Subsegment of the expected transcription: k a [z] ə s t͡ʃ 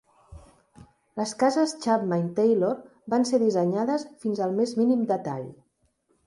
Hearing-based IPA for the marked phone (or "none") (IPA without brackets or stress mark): z